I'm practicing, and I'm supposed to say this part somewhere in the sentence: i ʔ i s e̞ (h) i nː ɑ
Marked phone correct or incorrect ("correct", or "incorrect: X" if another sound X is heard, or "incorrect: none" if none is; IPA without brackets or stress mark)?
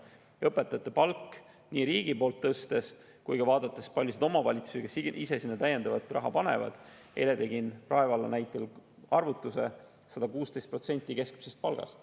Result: incorrect: s